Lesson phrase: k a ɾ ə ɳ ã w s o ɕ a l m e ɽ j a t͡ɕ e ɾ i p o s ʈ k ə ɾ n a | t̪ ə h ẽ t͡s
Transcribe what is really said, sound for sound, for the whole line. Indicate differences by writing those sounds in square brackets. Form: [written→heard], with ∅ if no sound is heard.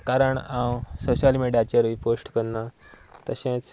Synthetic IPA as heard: k a ɾ ə ɳ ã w s o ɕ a l m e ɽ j a t͡ɕ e ɾ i p o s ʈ k ə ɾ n a | t̪ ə [h→ɕ] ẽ t͡s